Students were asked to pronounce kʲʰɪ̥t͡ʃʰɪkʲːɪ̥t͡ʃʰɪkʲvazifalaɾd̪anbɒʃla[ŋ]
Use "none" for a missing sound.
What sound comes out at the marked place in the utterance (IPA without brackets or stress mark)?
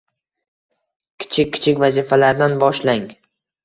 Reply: ŋ